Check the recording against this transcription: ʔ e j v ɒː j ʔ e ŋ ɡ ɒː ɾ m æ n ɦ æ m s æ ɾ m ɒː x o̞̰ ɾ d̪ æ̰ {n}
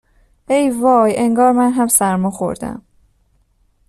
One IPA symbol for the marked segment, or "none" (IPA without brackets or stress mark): m